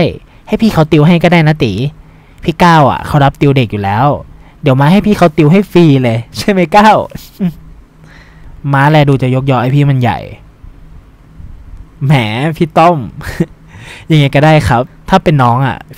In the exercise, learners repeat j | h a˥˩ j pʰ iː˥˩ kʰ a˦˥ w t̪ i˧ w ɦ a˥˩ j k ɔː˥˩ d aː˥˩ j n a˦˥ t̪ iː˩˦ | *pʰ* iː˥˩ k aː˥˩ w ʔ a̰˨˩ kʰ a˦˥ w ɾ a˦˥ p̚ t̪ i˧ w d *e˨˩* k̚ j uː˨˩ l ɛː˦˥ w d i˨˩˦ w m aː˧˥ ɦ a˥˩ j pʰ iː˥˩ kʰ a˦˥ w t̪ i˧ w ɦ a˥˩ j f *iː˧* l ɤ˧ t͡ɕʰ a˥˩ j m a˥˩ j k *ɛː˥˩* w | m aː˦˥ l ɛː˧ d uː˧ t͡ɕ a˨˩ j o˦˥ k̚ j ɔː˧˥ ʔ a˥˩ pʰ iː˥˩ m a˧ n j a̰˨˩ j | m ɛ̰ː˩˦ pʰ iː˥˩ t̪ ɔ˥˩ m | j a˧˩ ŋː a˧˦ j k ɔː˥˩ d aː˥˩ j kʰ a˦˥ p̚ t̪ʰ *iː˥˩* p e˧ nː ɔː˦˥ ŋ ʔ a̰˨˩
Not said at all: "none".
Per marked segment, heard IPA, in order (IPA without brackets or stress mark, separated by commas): pʰ, e˨˩, iː˧, aː˥˩, aː˥˩